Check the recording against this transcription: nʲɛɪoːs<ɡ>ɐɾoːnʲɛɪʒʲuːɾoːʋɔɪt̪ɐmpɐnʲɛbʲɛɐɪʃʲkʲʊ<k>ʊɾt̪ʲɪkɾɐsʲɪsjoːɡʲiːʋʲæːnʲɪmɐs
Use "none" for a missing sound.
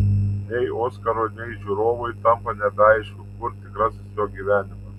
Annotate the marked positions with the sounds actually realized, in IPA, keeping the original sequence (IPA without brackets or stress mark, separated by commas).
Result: k, k